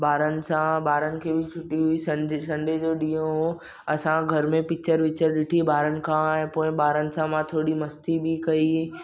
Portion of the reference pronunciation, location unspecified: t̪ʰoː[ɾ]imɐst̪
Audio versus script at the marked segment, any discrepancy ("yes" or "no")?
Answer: yes